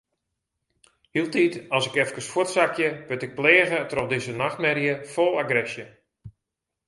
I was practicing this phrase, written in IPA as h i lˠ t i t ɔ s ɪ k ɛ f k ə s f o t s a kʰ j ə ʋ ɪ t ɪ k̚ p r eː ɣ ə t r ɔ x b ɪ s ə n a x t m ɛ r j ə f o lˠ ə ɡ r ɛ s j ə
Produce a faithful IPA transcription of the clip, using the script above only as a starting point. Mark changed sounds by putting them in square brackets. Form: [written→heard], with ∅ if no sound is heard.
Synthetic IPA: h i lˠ t i t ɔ s ɪ k ɛ f k ə s f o t s a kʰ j ə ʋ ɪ t ɪ k̚ p [r→l] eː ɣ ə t r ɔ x [b→d] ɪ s ə n a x t m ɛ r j ə f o lˠ [ə→a] ɡ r ɛ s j ə